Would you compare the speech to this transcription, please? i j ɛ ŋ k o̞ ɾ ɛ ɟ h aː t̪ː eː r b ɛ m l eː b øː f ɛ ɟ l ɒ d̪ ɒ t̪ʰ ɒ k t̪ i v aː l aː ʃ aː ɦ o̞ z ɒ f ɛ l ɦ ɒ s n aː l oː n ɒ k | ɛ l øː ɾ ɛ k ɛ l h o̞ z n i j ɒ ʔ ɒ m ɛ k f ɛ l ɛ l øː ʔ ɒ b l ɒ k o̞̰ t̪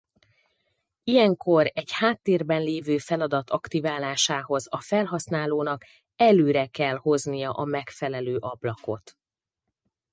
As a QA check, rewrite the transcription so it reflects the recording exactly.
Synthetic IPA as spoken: i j ɛ ŋ k o̞ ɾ ɛ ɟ h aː t̪ː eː r b ɛ n l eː v øː f ɛ l ɒ d̪ ɒ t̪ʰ ɒ k t̪ i v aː l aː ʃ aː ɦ o̞ z ɒ f ɛ l ɦ ɒ s n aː l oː n ɒ k | ɛ l øː ɾ ɛ k ɛ l h o̞ z n i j ɒ ʔ ɒ m ɛ k f ɛ l ɛ l øː ʔ ɒ b l ɒ k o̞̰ t̪